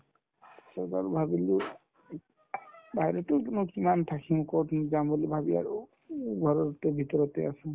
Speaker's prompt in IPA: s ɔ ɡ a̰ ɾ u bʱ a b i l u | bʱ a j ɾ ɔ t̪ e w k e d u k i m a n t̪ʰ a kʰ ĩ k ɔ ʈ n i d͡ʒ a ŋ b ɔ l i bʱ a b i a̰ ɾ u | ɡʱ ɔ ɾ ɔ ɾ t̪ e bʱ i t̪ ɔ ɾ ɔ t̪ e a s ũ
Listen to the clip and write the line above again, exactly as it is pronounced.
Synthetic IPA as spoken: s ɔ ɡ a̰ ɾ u bʱ a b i l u | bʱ a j ɾ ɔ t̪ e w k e n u k i m a n t̪ʰ a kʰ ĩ k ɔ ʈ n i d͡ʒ a m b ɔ l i bʱ a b i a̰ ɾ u | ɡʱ ɔ ɾ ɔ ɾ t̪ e bʱ i t̪ ɔ ɾ ɔ t̪ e a s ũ